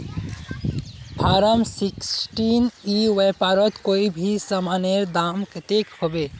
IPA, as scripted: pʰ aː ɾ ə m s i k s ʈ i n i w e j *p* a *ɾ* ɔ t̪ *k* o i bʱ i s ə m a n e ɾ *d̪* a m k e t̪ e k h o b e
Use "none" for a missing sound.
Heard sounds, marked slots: p, ɾ, k, d̪

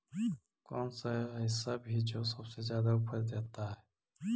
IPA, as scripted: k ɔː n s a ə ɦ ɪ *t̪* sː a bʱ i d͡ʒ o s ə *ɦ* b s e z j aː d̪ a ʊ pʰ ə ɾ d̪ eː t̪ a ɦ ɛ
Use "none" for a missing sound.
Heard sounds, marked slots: none, none

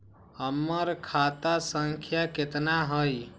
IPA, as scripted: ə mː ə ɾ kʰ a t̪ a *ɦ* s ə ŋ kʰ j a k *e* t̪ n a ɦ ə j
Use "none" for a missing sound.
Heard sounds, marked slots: none, e

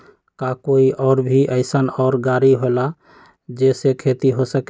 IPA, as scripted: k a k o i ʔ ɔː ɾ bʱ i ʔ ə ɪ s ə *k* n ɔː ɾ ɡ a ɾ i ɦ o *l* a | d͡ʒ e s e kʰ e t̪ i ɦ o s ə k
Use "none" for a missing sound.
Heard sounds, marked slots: none, l

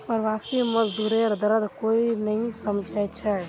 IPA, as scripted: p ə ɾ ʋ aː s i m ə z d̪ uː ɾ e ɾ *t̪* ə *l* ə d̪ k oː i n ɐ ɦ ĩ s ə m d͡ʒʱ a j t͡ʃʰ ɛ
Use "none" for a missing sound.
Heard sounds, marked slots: d̪, ɾ

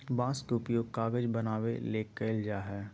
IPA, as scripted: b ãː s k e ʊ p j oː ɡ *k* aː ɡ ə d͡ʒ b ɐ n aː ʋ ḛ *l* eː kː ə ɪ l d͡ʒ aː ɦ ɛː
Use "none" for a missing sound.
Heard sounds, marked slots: k, l

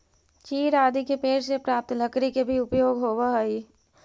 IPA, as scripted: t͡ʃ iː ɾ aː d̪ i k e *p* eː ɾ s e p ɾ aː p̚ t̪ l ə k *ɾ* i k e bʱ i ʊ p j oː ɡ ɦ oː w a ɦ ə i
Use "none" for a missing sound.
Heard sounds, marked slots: p, ɾ

